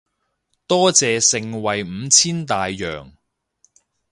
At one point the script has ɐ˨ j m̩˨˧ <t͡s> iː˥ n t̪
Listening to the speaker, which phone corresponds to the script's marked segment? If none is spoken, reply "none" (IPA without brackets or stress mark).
t͡sʰ